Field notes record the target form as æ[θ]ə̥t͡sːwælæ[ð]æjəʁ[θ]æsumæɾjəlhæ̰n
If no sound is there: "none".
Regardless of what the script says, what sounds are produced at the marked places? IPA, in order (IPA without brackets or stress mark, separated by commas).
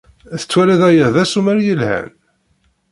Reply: θ, ð, ð